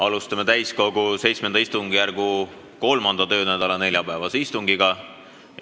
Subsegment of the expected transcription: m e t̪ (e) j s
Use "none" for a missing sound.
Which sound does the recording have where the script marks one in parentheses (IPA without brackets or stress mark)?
æ